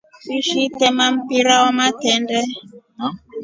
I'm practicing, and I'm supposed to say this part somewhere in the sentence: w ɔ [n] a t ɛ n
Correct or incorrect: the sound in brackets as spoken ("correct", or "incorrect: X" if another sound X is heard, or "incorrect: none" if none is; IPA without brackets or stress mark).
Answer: incorrect: m